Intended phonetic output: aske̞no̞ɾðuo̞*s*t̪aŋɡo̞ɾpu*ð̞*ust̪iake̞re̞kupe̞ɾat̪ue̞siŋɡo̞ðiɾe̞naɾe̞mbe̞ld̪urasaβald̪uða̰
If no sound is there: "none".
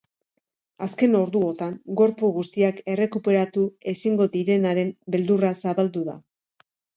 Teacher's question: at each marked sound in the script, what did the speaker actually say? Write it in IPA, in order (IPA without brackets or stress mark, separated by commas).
none, ɣ̞